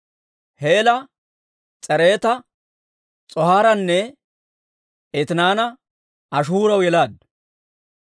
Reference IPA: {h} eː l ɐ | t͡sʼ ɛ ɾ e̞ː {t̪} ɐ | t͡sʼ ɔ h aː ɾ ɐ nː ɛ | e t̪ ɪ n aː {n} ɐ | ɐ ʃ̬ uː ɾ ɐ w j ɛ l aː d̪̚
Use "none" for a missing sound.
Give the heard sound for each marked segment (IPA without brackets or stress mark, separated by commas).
h, t̪, n